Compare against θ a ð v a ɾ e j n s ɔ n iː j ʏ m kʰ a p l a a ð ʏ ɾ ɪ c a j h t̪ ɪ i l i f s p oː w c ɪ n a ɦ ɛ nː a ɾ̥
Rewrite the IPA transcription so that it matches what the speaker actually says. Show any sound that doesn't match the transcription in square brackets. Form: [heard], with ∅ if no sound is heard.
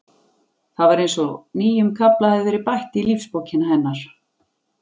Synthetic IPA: θ a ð v a ɾ e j n s ɔ n iː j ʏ m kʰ a p l a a ð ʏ ɾ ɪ [p] a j h t̪ ɪ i l i f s p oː w c ɪ n a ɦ ɛ nː a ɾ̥